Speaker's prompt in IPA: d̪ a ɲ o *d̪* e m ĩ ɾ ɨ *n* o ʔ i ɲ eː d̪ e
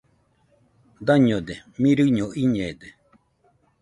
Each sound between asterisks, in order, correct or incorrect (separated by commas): correct, incorrect